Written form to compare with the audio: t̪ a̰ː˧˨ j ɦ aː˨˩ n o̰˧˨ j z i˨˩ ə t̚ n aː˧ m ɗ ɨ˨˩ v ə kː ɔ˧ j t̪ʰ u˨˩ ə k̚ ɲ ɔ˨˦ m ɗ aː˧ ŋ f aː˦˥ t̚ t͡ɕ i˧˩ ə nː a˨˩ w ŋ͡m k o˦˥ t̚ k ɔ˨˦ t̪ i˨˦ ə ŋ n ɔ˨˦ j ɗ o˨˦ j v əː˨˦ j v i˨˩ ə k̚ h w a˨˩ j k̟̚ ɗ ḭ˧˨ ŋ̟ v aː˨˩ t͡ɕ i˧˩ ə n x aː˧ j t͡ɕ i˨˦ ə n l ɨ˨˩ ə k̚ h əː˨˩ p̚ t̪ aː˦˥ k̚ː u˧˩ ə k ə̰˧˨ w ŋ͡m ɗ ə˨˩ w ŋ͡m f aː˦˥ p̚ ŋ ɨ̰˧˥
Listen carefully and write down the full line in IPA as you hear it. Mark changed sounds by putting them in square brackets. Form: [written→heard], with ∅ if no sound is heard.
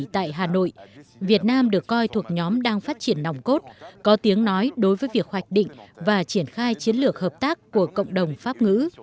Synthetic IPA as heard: t̪ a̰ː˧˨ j ɦ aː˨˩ n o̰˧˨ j [z→v] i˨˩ ə t̚ n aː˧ m ɗ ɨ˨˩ [v→∅] ə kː ɔ˧ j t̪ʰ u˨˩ ə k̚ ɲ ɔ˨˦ m ɗ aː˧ ŋ f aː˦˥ t̚ t͡ɕ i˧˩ ə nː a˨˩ w ŋ͡m k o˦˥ t̚ k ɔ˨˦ t̪ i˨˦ ə ŋ n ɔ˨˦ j ɗ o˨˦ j v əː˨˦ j v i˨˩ ə k̚ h w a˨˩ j k̟̚ ɗ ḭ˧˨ ŋ̟ v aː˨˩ t͡ɕ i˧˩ ə n x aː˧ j t͡ɕ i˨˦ ə n l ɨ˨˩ ə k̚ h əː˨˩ p̚ t̪ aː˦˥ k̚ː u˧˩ ə k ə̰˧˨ w ŋ͡m ɗ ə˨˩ w ŋ͡m f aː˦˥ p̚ ŋ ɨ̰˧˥